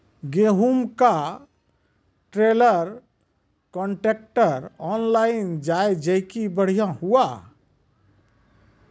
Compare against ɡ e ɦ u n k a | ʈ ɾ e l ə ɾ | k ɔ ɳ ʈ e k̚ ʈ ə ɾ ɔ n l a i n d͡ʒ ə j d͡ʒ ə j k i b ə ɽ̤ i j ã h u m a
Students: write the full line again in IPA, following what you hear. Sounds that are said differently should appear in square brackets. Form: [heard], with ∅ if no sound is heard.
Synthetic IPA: ɡ e ɦ u [m] k a | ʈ ɾ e l ə ɾ | k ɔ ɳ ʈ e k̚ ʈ ə ɾ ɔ n l a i n d͡ʒ [a] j d͡ʒ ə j k i b ə ɽ̤ i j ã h u [∅] a